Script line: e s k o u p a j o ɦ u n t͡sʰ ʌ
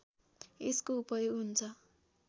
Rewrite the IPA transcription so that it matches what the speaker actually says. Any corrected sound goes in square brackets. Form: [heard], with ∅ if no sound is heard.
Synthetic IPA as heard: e s k o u p [ʌ] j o ɦ u n t͡sʰ ʌ